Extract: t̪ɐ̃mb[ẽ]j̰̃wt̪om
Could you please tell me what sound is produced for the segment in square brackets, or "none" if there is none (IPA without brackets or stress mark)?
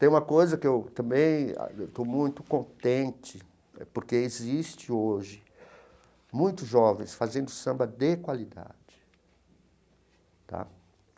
ẽ